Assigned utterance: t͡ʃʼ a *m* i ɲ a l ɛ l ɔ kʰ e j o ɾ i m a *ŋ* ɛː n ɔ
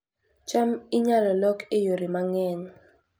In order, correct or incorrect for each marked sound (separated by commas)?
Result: correct, correct